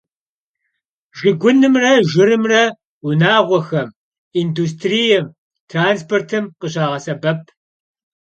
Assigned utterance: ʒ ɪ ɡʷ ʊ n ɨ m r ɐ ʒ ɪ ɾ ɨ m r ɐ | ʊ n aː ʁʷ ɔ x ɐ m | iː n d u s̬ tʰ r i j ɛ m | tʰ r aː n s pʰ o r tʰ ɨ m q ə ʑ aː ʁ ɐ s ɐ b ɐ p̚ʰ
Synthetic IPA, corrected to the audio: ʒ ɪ ɡʷ ʊ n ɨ m r ɐ ʒ ɪ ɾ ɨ m r ɐ | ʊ n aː ʁʷ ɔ x ɐ m | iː n d u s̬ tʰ r i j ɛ m | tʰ r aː n s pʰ o r tʰ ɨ m q ə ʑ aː ʁ ɐ s ɐ b ɐ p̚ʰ